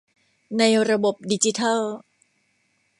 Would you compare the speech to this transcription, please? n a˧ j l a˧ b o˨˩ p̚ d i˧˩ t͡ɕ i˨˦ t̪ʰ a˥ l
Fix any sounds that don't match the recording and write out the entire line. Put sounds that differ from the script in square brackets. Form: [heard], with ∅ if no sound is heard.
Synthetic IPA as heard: n a˧ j [ɾ] a˧ b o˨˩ p̚ d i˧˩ t͡ɕ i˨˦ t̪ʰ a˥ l